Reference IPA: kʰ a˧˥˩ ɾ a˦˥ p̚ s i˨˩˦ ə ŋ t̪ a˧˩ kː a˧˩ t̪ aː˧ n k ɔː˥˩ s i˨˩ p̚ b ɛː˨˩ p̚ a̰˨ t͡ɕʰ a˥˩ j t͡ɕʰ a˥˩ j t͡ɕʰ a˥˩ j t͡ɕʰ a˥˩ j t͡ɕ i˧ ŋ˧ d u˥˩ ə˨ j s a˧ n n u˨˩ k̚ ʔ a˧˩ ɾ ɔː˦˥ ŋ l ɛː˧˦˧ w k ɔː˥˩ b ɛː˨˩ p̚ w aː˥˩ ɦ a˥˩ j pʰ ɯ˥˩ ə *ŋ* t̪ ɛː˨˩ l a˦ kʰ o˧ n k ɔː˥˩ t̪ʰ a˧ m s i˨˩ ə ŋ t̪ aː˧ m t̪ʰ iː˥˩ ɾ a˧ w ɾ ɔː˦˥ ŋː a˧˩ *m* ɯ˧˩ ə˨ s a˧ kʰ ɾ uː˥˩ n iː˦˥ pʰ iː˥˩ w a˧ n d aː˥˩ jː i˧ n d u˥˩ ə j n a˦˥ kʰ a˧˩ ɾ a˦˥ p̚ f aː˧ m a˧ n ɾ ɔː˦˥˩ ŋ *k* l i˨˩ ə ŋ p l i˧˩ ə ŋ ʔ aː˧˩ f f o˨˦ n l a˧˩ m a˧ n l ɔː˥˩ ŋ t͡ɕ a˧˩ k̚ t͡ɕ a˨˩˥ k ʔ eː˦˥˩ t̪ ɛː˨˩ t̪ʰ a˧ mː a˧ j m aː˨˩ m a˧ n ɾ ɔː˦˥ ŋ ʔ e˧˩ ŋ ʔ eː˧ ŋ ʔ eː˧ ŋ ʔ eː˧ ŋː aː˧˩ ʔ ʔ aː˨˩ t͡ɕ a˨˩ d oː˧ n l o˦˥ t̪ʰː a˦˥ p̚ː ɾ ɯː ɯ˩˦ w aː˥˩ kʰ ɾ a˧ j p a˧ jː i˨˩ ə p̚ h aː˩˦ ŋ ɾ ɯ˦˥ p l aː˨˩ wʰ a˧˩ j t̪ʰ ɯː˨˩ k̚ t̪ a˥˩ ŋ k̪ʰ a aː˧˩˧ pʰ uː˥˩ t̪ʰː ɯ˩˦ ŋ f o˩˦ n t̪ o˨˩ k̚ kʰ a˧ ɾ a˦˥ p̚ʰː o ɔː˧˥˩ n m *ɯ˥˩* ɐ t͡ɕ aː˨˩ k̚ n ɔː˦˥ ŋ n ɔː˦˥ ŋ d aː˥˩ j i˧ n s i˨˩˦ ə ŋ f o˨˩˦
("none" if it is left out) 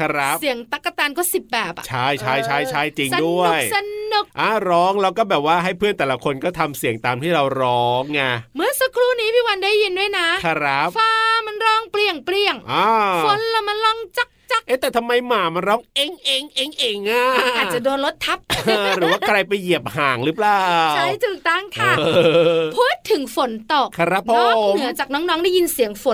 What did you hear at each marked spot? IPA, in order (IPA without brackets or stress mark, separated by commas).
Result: n, m, p, ɯ˨˩˦